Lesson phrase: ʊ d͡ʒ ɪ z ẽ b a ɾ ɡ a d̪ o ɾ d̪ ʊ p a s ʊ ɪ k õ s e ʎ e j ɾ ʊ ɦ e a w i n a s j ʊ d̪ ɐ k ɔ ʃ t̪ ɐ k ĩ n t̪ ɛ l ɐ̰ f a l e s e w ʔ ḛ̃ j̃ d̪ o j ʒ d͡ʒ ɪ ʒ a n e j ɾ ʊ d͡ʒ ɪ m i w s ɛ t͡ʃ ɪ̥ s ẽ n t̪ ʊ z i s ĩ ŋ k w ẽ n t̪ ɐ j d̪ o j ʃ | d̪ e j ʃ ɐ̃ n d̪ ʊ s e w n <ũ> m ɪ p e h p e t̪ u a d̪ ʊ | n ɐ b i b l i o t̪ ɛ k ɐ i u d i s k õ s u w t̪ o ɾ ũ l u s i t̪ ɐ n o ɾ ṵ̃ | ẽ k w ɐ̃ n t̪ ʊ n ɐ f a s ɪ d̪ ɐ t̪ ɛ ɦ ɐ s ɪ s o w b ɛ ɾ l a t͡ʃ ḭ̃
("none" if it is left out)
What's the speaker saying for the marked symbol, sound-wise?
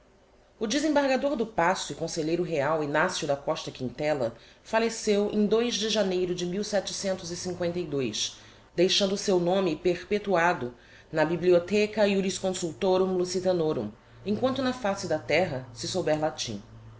õ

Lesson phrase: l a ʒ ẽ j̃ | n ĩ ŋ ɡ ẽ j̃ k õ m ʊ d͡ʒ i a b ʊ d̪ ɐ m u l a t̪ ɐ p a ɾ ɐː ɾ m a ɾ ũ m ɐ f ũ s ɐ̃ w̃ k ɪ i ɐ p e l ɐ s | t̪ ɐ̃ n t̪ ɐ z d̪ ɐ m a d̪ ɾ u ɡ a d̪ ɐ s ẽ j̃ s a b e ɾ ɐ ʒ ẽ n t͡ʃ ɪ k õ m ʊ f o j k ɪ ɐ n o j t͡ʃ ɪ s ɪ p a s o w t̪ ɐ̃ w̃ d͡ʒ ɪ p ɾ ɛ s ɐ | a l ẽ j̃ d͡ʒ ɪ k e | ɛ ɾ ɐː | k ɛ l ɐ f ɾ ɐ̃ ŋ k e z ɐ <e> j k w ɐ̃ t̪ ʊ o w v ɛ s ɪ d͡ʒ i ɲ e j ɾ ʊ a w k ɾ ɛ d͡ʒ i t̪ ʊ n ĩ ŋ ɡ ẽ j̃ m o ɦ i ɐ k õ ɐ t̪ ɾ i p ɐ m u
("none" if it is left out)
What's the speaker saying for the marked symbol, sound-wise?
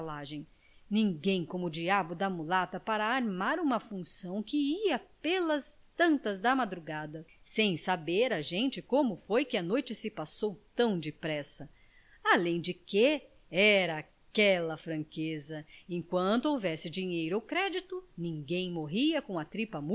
ẽ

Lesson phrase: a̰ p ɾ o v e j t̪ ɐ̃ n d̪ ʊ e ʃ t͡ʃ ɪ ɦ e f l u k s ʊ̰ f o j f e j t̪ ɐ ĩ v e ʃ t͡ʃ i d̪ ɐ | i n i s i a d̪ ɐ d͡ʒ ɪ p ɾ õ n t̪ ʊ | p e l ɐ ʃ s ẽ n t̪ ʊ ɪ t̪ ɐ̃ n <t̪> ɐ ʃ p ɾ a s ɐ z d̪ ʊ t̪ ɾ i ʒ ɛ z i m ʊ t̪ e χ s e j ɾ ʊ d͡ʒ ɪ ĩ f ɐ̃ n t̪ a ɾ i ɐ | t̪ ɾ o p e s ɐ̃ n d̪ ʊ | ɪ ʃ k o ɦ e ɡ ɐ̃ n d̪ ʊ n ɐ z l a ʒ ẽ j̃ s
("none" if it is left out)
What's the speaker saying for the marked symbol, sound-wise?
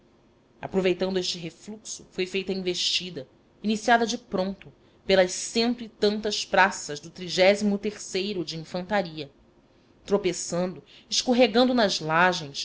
t̪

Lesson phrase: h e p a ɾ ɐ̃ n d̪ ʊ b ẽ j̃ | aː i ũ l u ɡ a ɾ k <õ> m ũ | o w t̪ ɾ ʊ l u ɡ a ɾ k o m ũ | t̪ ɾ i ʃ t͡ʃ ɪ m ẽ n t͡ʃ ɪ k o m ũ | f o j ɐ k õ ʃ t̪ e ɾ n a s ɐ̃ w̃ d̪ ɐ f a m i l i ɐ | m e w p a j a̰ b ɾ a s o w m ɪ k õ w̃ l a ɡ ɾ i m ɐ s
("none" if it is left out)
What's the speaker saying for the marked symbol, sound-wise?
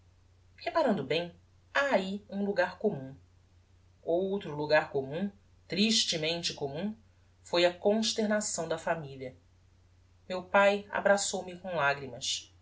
o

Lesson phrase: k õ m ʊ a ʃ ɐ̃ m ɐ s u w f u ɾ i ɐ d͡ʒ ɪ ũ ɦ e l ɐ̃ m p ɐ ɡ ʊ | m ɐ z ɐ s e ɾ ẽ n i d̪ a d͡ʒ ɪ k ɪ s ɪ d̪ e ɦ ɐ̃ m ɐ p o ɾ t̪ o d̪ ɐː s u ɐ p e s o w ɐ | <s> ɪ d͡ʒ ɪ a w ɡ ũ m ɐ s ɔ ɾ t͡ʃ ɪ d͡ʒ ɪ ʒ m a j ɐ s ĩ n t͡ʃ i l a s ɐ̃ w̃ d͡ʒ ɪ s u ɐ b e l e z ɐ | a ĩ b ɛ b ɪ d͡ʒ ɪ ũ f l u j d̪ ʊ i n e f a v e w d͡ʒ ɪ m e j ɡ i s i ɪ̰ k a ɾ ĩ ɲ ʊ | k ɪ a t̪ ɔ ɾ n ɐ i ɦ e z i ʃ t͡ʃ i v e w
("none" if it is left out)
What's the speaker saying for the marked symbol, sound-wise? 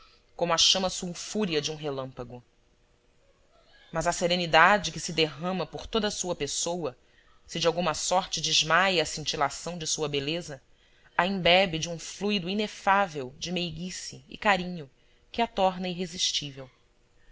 s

